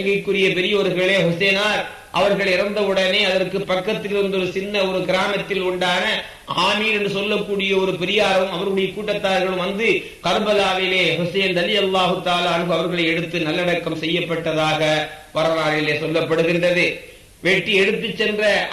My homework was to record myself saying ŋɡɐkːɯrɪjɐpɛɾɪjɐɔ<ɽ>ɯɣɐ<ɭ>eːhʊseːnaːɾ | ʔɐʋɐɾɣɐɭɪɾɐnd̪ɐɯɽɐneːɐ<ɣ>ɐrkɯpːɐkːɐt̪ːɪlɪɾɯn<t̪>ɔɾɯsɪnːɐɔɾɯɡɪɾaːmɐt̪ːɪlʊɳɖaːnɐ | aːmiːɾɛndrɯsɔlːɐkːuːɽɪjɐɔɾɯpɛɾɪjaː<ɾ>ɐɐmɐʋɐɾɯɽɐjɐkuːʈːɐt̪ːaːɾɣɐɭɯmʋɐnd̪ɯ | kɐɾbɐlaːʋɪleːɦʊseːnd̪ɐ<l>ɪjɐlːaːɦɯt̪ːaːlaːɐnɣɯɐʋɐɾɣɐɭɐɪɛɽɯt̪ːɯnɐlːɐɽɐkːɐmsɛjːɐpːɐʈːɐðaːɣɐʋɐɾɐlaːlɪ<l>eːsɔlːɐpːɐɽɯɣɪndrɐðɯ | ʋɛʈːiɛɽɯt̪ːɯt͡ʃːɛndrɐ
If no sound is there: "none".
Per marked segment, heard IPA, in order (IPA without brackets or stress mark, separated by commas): ɾ, ɭ, ð, d̪, ɾ, l, l